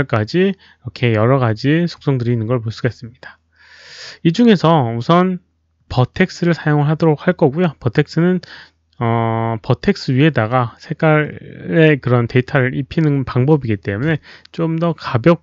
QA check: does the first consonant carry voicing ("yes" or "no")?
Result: yes